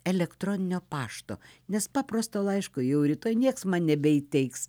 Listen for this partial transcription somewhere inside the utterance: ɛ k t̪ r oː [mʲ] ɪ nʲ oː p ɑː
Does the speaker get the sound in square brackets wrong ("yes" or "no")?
yes